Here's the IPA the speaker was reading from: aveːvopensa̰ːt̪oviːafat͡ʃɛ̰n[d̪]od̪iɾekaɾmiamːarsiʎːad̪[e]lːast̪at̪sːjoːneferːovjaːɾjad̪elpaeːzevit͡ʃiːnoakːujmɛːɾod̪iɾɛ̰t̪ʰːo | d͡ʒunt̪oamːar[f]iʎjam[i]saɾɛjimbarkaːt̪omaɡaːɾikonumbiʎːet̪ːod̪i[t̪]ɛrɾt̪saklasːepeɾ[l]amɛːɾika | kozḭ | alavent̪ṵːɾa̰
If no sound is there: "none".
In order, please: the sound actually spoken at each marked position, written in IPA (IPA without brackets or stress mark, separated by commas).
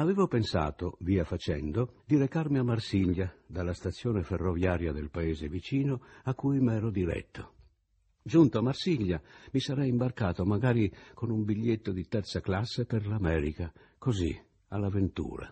d̪, a, s, i, t̪, l